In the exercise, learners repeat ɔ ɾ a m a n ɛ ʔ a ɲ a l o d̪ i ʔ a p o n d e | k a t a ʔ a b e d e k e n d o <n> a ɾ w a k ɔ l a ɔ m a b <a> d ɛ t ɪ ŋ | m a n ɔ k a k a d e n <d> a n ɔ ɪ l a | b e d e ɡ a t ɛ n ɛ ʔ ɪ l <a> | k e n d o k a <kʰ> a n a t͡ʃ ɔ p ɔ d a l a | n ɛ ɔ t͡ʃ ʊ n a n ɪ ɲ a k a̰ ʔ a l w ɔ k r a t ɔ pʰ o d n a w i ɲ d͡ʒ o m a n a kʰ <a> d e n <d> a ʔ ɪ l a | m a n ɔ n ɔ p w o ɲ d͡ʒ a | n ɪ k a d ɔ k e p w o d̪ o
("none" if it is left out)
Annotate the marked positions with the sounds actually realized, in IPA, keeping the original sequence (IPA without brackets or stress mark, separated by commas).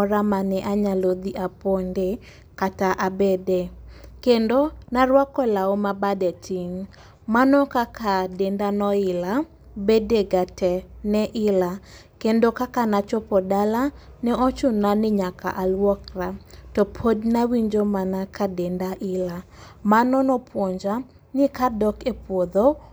n, a, d, a, k, a, d